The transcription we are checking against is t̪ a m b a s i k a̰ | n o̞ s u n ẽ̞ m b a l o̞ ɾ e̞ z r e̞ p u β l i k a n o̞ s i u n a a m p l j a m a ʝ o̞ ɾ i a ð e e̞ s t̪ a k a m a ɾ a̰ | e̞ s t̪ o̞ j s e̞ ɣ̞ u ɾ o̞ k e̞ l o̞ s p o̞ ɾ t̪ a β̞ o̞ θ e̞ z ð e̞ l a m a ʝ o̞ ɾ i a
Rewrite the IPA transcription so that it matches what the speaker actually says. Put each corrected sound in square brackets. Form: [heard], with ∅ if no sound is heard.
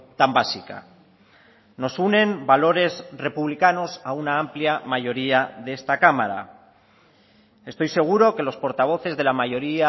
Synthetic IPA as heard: t̪ a m b a s i k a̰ | n o̞ s u n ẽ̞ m b a l o̞ ɾ e̞ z r e̞ p u β l i k a n o̞ s [a] u n a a m p l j a m a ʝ o̞ ɾ i a ð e e̞ s t̪ a k a m a ɾ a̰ | e̞ s t̪ o̞ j s e̞ ɣ̞ u ɾ o̞ k e̞ l o̞ s p o̞ ɾ t̪ a β̞ o̞ θ e̞ z ð e̞ l a m a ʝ o̞ ɾ i a